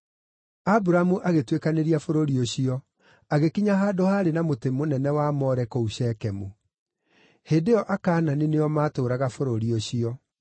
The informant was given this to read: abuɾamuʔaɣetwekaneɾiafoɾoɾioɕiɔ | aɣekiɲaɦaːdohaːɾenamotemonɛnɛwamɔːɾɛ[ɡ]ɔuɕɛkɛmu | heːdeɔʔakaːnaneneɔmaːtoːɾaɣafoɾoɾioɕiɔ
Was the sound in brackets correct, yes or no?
no